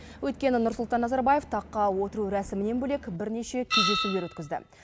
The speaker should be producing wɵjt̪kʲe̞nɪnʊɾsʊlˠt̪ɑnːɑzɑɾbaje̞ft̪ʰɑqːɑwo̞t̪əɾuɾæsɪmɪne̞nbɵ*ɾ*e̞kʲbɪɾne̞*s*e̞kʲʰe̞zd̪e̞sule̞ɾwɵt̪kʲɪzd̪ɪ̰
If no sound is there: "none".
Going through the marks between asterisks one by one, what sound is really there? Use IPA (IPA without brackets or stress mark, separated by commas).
l, ʃ